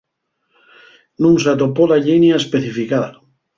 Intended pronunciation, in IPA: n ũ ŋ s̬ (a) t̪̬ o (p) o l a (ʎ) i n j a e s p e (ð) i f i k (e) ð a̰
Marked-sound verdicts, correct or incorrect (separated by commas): correct, correct, correct, incorrect, incorrect